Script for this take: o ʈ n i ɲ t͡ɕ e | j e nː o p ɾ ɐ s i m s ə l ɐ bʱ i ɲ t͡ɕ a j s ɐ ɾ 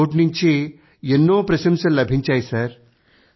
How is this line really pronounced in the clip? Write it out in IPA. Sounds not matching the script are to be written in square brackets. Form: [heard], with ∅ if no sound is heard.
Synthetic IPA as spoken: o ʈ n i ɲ t͡ɕ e | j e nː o p ɾ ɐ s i m s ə l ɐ bʱ i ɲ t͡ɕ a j s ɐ ɾ